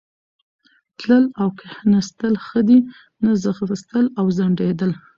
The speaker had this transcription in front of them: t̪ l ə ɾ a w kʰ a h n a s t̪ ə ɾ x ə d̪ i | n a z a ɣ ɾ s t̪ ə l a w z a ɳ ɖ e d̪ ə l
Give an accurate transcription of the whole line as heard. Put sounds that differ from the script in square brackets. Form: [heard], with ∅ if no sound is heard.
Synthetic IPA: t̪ l ə [l] a w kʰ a h n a s t̪ ə [l] x ə d̪ i | n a z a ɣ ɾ s t̪ ə l a w z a ɳ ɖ e d̪ ə l